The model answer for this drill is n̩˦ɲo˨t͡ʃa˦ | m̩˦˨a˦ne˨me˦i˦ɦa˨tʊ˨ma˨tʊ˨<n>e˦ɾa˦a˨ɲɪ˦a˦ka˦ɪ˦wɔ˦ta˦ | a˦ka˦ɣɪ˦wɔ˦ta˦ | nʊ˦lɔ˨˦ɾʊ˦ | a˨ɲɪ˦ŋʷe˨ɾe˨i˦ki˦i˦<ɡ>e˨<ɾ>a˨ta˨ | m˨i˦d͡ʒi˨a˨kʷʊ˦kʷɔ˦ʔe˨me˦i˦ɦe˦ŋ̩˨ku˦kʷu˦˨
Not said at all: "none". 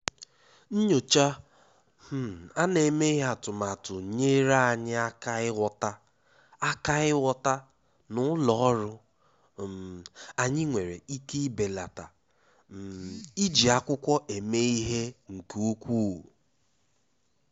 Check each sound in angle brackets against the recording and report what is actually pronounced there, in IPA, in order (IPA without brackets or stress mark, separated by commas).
ɲ, b, l